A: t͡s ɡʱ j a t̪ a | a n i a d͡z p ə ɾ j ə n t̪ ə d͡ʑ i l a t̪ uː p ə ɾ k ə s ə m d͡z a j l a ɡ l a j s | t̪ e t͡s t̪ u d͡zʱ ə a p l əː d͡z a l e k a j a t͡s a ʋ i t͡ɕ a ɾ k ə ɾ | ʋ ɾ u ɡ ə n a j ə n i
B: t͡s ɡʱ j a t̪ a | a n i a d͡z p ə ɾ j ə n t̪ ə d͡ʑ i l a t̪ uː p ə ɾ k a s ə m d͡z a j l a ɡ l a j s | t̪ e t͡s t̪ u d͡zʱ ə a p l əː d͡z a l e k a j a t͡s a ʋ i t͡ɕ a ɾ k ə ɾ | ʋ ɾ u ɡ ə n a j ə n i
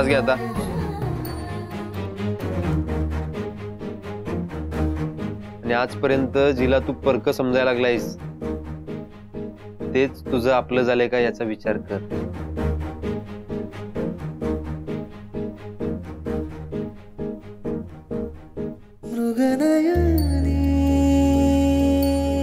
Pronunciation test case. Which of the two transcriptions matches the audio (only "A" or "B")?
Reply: A